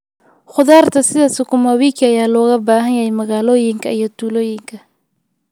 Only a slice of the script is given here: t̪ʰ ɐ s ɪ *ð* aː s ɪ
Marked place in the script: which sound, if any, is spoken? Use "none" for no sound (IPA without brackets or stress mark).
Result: ð